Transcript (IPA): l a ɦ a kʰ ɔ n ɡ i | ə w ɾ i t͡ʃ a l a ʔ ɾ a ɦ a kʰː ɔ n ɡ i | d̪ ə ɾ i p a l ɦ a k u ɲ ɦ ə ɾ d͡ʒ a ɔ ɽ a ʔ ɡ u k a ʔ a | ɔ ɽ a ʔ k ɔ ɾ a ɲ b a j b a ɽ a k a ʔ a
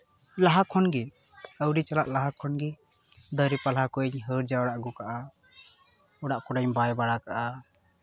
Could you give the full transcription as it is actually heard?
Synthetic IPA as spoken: l a ɦ a kʰ ɔ n ɡ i | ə w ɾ i t͡ʃ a l a ʔ l a ɦ a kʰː ɔ n ɡ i | d̪ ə ɾ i p a l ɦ a k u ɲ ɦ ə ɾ d͡ʒ a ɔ ɽ a ʔ ɡ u k a ʔ a | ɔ ɽ a ʔ k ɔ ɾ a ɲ b a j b a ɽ a k a ʔ a